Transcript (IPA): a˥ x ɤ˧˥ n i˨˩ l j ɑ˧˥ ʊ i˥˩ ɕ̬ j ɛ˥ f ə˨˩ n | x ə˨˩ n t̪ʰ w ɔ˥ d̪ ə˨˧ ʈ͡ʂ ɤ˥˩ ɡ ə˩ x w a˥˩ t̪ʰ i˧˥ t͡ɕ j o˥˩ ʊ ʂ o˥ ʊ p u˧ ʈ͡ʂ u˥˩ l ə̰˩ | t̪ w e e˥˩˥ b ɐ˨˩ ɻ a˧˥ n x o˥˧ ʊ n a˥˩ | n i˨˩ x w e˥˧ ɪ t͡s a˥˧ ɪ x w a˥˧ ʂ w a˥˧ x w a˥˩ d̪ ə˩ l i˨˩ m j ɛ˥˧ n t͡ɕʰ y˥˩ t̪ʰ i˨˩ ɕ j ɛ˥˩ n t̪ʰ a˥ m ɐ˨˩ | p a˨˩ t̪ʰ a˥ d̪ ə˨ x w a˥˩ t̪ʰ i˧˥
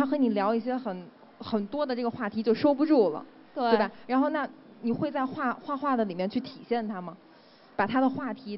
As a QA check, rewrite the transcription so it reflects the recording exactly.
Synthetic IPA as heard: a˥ x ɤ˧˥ n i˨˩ l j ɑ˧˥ ʊ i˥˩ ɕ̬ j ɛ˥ x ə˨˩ n | x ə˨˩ n t̪ w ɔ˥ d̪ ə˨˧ ʈ͡ʂ ɤ˥˩ ɡ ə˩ x w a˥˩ t̪ʰ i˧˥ t͡ɕ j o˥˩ ʊ ʂ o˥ ʊ p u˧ ʈ͡ʂ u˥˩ l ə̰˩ | t̪ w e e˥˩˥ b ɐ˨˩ ɻ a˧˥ n x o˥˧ ʊ n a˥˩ | n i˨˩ x w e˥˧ ɪ t͡s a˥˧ ɪ x w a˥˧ x w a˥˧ x w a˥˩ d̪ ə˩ l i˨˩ m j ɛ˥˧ n t͡ɕʰ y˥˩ t̪ʰ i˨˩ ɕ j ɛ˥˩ n t̪ʰ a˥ m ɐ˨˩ | p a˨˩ t̪ʰ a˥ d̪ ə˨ x w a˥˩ t̪ʰ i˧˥